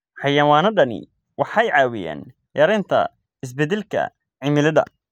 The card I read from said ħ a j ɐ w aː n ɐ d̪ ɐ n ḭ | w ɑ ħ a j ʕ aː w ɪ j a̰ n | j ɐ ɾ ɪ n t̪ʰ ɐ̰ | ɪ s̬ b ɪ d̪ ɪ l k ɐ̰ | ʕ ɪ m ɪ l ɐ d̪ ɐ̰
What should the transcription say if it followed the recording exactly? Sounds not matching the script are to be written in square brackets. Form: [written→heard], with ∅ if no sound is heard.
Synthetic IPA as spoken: ħ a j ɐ w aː n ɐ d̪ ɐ n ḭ | w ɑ ħ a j ʕ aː w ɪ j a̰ n | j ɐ ɾ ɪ n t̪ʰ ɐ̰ | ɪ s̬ b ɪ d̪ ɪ l k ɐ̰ | ʕ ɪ m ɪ l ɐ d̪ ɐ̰